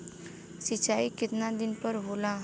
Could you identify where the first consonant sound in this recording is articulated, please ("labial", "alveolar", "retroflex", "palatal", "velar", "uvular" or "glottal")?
alveolar